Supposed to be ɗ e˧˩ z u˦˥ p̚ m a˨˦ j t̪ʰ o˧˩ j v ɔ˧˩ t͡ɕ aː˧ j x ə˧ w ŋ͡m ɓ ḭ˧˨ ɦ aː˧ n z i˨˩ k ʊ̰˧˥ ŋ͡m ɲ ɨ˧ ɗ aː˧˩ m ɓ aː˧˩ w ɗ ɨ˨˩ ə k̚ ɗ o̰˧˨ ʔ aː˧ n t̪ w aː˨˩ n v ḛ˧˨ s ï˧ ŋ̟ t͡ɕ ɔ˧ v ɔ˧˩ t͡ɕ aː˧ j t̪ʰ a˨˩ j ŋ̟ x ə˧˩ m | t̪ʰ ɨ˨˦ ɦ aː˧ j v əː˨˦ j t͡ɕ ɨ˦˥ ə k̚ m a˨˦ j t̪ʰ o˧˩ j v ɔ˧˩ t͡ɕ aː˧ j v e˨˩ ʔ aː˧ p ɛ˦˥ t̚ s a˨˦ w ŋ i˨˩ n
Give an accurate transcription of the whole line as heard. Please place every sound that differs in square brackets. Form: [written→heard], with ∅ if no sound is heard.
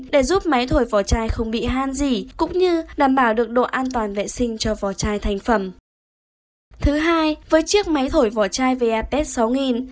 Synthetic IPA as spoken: ɗ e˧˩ z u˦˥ p̚ m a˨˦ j t̪ʰ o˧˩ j v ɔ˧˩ t͡ɕ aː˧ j x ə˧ w ŋ͡m ɓ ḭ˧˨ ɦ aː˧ n z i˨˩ k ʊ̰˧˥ ŋ͡m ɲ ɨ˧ ɗ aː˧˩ m ɓ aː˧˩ w ɗ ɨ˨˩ ə k̚ ɗ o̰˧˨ ʔ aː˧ n t̪ w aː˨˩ n v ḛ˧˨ s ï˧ ŋ̟ t͡ɕ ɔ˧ v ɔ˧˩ t͡ɕ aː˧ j t̪ʰ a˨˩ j ŋ̟ [x→f] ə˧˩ m | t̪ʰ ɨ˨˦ ɦ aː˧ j v əː˨˦ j t͡ɕ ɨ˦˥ ə k̚ m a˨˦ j t̪ʰ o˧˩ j v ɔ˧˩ t͡ɕ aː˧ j v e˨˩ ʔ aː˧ p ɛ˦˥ t̚ s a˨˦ w ŋ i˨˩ n